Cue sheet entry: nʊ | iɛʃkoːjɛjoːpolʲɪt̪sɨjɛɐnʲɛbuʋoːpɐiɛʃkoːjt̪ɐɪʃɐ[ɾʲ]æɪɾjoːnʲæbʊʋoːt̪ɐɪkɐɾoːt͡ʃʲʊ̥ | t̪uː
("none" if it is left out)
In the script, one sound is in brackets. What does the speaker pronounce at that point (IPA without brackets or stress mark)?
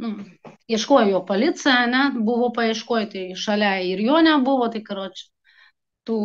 lʲ